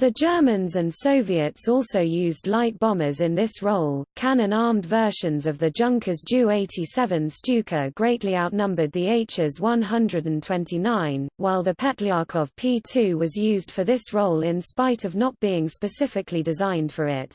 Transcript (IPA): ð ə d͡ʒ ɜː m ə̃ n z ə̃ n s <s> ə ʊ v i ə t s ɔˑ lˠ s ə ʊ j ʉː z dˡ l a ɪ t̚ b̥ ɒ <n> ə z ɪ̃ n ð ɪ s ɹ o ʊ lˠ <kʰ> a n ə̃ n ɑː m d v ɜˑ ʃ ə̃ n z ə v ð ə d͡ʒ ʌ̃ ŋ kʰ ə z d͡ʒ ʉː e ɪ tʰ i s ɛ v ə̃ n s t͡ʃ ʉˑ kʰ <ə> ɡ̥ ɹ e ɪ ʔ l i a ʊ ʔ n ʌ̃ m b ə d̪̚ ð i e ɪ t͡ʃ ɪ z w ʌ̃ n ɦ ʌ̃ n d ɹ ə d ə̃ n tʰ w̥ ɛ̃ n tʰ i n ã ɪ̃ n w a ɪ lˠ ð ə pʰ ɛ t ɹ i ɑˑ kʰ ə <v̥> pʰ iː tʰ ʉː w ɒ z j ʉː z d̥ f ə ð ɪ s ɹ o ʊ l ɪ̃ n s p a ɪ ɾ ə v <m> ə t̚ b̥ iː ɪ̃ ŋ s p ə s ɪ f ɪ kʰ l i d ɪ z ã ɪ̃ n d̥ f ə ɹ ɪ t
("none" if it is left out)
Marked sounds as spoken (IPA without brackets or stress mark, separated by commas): s, m, kʰ, ə, v̥, n